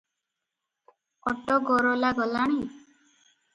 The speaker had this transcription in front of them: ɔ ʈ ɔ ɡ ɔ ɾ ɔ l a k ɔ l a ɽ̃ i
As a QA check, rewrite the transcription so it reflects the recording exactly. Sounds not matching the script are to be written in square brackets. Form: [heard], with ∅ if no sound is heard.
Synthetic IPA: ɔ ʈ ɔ ɡ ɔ ɾ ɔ l a [ɡ] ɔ l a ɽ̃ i